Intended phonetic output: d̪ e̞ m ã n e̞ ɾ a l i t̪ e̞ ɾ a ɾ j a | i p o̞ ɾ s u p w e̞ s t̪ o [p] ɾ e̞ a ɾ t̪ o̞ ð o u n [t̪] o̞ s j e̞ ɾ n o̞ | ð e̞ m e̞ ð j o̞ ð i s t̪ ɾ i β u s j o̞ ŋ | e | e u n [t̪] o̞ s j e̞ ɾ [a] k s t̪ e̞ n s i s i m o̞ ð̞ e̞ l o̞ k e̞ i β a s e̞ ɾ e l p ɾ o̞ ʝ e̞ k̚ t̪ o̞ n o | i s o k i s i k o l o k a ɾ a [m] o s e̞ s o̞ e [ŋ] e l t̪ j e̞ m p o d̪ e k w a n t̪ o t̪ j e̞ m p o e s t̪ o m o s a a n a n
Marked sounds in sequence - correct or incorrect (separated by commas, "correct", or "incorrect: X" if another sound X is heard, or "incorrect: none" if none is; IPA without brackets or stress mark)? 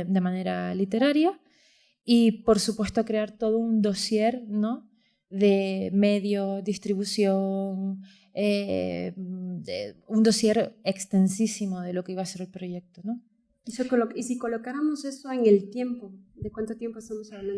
incorrect: k, incorrect: d̪, incorrect: d̪, incorrect: e, correct, correct